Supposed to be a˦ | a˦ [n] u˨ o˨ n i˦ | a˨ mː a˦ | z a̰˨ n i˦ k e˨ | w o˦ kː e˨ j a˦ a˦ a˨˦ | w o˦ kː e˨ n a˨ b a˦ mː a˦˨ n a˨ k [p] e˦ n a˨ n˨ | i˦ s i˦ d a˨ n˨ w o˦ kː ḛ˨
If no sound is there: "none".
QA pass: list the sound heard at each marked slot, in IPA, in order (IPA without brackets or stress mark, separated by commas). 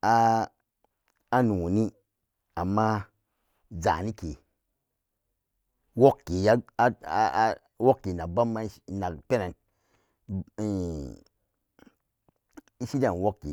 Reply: n, p